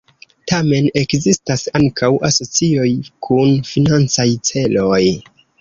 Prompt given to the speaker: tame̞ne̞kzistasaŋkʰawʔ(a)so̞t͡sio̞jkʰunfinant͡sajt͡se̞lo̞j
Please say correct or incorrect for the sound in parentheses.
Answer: correct